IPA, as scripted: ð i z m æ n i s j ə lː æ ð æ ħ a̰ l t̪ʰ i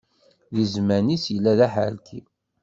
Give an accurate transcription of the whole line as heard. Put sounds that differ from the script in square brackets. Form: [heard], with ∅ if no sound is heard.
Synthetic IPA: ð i z m æ n i s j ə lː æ ð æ ħ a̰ l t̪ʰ i